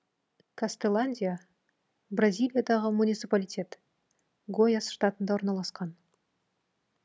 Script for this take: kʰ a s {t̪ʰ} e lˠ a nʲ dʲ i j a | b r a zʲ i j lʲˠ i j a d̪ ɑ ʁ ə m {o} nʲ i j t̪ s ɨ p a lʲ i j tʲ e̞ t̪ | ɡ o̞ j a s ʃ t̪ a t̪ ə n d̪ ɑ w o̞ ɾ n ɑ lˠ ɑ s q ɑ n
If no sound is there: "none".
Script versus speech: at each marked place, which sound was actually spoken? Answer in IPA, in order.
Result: t̪, u

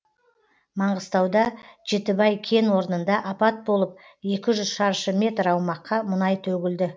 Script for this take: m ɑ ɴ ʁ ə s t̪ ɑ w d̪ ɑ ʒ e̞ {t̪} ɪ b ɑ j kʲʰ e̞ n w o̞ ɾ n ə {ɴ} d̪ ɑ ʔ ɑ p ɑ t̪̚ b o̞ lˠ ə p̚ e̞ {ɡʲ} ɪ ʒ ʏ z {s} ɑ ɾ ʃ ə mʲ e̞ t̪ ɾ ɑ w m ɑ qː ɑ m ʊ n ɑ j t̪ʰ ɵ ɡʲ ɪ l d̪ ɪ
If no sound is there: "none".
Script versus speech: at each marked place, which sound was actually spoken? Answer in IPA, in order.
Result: t̪, n, kʲ, ʃ

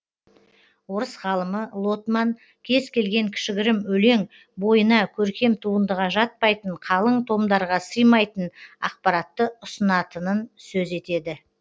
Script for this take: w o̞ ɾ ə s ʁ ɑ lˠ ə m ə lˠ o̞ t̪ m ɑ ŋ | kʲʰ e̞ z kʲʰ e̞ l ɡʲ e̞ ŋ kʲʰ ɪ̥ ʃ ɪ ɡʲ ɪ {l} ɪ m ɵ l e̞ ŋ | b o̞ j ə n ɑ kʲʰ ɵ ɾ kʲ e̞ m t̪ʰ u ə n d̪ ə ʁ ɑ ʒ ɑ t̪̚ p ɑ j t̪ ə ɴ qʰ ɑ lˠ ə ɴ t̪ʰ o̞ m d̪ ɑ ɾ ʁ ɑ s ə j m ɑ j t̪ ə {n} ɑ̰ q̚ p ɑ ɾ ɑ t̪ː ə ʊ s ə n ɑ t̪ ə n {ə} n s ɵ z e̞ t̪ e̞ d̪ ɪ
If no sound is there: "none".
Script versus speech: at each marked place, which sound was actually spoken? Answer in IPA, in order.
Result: ɾ, n, ə

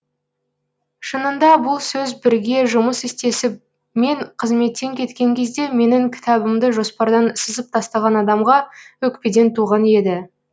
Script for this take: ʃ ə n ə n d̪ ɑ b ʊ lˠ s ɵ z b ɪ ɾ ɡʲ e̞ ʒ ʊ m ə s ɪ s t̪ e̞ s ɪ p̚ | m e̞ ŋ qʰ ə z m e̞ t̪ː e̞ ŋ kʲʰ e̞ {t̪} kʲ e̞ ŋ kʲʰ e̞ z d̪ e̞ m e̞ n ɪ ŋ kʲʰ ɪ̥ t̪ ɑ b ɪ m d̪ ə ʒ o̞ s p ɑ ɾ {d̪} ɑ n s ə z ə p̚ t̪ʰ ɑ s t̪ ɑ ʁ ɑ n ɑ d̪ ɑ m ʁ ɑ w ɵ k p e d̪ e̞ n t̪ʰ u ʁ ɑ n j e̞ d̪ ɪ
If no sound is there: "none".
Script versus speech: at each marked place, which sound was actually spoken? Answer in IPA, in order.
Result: t̪, d̪

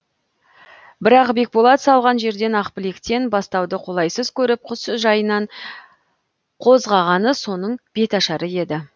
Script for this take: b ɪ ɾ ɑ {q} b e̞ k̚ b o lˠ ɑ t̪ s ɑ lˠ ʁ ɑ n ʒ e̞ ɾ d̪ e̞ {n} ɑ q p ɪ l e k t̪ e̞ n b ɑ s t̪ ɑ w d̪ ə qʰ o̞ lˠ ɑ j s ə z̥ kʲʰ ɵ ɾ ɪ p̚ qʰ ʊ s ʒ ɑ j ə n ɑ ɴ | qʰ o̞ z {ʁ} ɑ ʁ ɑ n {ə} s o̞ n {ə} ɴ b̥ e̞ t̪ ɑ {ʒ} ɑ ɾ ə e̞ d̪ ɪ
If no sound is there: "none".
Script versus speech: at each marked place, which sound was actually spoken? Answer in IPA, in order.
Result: q, n, ʁ, ə, ə, ʃ

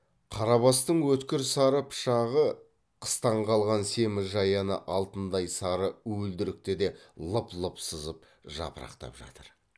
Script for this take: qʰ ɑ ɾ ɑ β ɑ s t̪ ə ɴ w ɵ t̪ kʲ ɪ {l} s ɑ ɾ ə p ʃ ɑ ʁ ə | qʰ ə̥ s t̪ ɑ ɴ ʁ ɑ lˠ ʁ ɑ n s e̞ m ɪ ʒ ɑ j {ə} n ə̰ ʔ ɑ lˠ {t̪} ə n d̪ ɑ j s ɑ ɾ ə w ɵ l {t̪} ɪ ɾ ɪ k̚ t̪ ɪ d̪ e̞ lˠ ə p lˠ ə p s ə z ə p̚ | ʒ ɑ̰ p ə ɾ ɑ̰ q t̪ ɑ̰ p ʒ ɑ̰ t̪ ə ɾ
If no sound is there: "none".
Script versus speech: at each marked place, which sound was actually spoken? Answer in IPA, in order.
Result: ɾ, ɑ, t̪, d̪

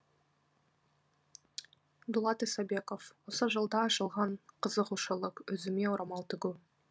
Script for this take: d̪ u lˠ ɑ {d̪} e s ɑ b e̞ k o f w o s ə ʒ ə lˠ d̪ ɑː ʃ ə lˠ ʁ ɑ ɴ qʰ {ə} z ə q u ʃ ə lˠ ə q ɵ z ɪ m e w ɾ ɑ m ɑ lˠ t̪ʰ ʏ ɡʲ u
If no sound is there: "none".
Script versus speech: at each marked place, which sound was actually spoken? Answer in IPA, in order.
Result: t̪, ə

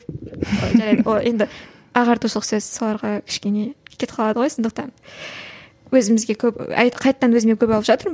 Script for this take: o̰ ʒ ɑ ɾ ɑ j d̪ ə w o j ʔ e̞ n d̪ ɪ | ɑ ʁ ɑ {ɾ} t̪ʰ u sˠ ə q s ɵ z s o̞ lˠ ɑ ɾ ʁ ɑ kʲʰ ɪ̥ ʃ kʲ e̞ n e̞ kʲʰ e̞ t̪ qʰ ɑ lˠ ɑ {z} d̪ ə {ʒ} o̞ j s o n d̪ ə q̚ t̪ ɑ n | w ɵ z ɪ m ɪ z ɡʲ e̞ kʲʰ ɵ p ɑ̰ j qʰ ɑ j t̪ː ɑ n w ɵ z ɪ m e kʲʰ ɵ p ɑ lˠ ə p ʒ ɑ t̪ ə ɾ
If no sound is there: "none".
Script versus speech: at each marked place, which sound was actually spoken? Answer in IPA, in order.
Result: ɾ, none, ʁ

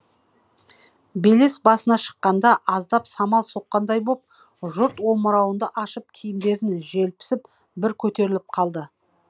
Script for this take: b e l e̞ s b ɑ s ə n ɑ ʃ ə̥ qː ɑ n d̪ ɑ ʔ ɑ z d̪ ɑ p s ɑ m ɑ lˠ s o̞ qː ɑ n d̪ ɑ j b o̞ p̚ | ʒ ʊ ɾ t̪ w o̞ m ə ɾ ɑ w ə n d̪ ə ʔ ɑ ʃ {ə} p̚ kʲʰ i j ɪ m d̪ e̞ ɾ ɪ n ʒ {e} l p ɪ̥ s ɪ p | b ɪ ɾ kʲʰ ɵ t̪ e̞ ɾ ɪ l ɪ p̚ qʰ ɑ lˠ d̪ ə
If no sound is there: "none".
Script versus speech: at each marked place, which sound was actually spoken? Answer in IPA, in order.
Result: ə, e

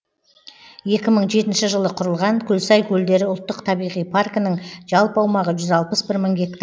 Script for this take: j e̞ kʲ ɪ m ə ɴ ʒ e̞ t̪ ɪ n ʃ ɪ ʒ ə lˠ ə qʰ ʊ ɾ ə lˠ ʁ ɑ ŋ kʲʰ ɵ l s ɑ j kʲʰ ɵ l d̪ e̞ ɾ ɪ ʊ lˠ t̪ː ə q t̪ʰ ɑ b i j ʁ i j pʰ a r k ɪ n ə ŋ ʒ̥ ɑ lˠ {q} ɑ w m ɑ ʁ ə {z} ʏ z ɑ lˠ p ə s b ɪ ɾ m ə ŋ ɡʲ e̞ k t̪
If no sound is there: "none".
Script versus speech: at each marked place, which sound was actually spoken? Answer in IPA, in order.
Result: p, ʒ

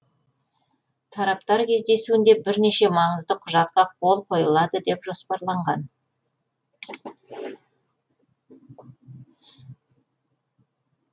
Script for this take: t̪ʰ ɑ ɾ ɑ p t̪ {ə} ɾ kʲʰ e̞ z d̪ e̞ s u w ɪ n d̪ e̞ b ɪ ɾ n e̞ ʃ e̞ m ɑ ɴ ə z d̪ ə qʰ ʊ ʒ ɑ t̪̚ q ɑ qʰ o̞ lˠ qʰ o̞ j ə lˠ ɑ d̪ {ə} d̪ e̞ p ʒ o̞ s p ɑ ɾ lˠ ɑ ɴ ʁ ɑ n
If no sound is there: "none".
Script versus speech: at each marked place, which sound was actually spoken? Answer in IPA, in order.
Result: ɑ, ə

